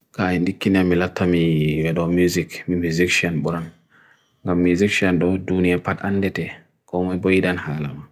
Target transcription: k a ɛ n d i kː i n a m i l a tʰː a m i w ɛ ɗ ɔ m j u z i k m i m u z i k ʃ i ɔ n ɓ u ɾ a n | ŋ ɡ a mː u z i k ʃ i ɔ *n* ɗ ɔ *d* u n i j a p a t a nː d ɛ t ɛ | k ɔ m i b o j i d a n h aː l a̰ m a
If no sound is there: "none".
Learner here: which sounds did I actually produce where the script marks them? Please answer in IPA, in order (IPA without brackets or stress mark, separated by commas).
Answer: n, d